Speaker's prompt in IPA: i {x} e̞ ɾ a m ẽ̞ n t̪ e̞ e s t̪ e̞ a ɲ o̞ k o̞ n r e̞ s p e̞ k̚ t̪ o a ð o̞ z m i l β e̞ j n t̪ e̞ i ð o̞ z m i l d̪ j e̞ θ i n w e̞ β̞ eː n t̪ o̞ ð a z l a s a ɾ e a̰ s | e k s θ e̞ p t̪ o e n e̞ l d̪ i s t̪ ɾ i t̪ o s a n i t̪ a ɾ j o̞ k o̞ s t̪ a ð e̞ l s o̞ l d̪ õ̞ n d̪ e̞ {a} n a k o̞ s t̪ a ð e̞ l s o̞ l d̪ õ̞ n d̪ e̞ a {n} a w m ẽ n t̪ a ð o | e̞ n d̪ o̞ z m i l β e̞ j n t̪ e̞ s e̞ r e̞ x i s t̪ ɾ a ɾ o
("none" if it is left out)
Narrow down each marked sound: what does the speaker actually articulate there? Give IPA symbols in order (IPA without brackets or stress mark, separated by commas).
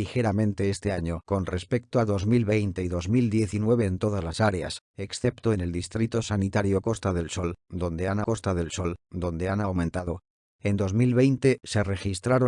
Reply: x, a, n